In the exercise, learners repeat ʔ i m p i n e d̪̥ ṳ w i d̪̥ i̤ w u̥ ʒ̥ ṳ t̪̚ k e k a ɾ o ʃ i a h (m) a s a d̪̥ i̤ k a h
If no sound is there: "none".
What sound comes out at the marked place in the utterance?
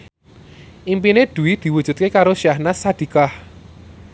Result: n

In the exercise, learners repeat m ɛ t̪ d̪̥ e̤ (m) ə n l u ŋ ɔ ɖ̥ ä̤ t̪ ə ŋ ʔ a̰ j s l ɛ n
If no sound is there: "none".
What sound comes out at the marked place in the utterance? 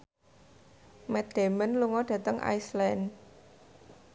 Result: m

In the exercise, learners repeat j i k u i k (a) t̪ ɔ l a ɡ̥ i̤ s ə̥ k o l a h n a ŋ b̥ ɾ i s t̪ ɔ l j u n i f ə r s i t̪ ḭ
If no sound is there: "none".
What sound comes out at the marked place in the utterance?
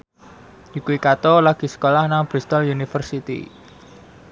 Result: a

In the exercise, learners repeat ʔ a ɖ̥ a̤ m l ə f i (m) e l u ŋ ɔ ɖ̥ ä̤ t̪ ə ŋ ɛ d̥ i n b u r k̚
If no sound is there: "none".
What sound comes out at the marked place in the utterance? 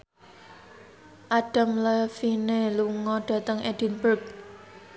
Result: n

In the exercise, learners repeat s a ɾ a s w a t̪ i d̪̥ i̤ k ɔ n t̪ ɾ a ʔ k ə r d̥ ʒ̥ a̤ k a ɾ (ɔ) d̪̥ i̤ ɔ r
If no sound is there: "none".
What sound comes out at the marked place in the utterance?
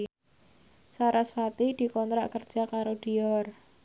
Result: o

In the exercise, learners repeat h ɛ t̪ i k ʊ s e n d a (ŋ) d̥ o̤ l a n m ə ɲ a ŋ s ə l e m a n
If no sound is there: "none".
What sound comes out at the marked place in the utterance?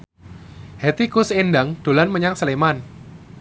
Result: ŋ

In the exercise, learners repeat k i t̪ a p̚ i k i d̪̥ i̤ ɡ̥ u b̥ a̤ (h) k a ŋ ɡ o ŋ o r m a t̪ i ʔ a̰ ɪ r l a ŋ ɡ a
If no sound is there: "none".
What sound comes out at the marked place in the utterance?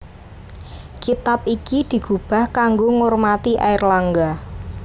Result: h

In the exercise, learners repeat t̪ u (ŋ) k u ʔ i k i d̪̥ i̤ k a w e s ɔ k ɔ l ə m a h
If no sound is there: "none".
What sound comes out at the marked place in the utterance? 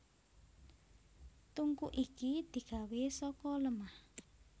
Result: ŋ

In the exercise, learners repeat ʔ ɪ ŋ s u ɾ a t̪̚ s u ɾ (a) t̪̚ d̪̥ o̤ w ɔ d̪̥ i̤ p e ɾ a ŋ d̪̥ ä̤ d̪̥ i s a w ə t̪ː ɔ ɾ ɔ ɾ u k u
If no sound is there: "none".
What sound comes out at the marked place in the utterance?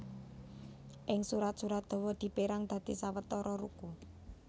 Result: a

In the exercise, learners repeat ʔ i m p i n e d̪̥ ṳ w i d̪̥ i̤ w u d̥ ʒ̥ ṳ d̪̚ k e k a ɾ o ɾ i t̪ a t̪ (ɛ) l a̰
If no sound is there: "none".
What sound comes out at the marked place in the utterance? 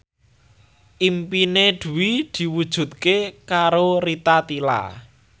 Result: i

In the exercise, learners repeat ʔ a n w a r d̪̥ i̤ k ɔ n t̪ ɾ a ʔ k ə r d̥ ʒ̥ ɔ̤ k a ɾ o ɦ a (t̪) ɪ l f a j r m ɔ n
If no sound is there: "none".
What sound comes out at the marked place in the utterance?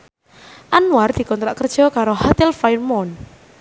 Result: t̪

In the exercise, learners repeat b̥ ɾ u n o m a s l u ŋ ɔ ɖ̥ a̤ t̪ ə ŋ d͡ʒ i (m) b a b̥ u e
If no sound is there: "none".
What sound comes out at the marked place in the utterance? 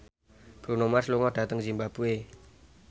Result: m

